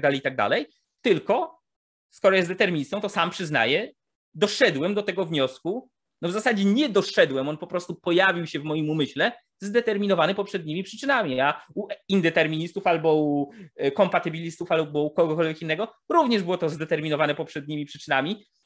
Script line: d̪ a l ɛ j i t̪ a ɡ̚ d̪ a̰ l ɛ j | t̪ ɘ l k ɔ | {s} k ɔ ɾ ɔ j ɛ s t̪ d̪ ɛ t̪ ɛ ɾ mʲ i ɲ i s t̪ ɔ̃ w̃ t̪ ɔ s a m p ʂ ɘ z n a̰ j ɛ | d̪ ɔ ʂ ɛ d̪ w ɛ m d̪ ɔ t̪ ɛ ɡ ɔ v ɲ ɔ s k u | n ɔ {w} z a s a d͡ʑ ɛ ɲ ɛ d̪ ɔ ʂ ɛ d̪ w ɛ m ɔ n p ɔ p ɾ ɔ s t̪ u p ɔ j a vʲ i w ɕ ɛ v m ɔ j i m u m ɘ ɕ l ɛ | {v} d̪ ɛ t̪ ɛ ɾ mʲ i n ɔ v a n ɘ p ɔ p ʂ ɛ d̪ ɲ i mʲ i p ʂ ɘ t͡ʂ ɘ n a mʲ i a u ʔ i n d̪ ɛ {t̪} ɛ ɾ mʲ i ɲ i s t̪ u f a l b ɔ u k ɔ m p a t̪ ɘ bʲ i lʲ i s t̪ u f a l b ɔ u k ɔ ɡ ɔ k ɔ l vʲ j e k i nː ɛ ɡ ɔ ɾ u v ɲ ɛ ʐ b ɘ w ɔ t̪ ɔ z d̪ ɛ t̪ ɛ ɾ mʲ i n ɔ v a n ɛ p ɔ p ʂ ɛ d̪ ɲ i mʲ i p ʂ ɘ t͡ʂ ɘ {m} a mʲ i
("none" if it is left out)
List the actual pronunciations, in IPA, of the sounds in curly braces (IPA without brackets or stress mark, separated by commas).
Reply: s, v, z, t̪, n